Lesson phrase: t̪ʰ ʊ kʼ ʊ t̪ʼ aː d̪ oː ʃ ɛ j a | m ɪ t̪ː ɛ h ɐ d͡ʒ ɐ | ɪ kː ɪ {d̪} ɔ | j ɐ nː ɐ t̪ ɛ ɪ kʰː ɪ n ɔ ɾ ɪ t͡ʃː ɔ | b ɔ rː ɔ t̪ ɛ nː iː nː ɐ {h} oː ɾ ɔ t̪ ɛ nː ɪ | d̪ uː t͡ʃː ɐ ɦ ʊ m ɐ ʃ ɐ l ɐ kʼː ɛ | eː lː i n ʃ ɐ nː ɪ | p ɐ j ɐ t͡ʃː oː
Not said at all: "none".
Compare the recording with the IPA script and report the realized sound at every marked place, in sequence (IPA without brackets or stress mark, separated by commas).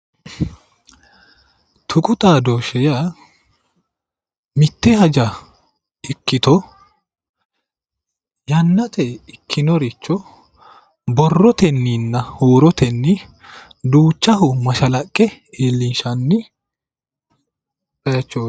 t̪, h